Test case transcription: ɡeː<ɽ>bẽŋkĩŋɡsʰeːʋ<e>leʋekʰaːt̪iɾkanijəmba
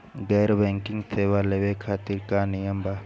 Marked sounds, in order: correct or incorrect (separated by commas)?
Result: incorrect, incorrect